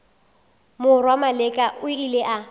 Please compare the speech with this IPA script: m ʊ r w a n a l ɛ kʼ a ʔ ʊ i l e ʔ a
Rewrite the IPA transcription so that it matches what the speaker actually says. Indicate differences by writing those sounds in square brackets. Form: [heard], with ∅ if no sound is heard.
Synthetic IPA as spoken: m ʊ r w a [m] a l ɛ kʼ a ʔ ʊ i l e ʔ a